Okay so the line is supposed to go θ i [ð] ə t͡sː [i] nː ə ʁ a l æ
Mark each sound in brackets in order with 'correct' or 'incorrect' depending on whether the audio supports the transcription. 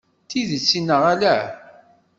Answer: correct, correct

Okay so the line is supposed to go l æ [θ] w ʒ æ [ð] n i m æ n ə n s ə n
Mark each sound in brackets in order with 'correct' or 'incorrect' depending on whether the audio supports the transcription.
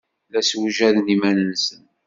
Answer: incorrect, correct

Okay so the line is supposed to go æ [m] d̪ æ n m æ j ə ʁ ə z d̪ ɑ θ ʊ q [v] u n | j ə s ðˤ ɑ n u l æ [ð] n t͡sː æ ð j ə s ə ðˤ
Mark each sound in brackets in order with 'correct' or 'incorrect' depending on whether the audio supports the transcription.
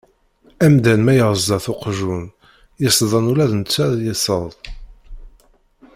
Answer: correct, incorrect, correct

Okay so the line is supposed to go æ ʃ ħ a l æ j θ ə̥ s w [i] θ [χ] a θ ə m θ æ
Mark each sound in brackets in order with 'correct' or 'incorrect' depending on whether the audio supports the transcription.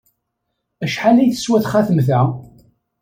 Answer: incorrect, correct

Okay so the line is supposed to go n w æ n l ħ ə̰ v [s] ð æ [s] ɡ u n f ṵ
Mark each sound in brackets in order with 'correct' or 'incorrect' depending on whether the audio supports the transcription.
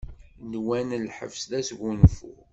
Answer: correct, correct

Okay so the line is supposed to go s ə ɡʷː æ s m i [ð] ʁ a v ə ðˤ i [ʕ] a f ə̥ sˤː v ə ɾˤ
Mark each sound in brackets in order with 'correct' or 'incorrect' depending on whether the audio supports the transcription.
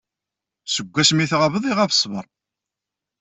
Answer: incorrect, incorrect

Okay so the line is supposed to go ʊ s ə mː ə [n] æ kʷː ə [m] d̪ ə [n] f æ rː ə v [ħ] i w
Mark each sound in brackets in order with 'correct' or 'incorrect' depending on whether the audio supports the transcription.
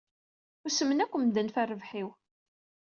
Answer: correct, correct, correct, correct

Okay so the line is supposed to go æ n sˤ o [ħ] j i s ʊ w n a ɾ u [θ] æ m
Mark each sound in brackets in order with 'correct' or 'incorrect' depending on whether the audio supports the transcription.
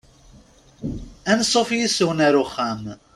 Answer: incorrect, incorrect

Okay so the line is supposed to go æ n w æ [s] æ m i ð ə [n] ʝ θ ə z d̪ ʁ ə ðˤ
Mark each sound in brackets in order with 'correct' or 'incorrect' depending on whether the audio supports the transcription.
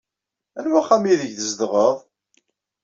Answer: incorrect, incorrect

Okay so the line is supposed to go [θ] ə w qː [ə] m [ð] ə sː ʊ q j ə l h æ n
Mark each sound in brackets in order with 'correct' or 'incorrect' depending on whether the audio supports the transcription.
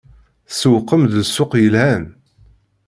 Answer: incorrect, correct, correct

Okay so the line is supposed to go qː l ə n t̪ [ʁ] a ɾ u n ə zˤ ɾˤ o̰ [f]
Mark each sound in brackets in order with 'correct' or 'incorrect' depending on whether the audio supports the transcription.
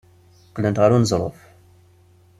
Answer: correct, correct

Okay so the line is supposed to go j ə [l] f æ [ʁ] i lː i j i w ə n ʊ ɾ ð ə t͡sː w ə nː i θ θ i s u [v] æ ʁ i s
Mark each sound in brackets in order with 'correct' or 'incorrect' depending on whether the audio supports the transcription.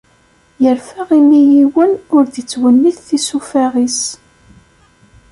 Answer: incorrect, correct, incorrect

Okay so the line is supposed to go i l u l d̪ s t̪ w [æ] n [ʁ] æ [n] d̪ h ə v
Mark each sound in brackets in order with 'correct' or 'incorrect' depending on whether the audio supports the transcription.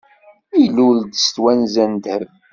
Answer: correct, incorrect, correct

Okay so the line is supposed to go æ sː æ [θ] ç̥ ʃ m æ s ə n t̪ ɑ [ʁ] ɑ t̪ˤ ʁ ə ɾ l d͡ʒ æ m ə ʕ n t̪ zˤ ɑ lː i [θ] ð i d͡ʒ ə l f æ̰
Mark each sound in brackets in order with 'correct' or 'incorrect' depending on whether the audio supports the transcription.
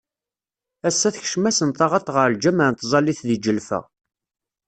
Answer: correct, correct, correct

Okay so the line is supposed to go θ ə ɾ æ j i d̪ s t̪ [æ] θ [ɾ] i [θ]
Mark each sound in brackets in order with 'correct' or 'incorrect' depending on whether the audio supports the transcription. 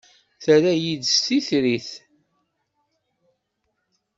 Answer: incorrect, correct, correct

